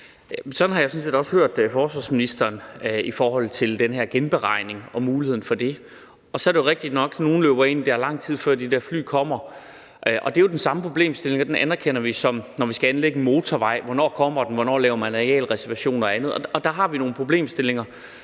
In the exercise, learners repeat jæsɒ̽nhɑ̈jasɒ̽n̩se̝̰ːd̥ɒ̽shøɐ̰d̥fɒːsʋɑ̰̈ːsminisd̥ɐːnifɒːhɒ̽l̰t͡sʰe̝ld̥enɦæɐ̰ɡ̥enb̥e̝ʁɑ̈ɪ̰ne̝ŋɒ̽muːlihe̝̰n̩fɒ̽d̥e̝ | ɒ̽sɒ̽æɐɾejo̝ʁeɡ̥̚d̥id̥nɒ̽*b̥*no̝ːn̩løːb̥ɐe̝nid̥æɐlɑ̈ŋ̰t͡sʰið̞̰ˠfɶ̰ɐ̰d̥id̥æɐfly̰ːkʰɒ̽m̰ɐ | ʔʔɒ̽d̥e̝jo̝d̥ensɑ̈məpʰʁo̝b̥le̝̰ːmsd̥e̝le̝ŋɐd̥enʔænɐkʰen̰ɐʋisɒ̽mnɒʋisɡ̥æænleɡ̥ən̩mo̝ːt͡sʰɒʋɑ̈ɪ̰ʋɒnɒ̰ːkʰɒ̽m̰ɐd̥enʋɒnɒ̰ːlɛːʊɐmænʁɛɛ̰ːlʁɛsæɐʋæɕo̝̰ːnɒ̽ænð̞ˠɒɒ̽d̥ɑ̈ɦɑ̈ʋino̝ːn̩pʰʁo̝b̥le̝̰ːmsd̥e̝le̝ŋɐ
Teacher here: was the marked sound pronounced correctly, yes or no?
no